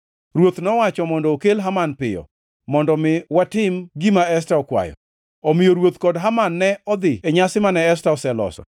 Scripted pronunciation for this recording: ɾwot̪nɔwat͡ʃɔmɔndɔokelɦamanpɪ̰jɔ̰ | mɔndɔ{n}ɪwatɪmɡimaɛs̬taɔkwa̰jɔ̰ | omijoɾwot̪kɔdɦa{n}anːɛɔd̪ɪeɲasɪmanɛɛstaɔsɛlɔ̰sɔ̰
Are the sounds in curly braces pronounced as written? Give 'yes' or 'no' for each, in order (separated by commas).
no, no